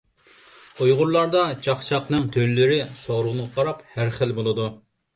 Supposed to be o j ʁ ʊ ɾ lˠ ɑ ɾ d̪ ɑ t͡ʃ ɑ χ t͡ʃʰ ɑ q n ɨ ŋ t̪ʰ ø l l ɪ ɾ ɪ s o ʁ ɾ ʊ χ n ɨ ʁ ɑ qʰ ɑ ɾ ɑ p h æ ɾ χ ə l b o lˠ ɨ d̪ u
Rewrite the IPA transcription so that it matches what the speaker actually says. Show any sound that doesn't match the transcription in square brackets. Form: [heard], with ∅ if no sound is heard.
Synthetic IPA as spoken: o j ʁ ʊ ɾ lˠ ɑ ɾ d̪ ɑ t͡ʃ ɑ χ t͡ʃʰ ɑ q n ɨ ŋ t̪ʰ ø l l ɪ ɾ ɪ s o ʁ ɾ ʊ [ʁ] n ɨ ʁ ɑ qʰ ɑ ɾ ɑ p h æ ɾ χ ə l b o lˠ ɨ d̪ u